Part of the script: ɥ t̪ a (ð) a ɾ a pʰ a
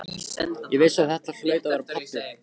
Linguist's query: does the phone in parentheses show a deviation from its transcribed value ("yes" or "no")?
yes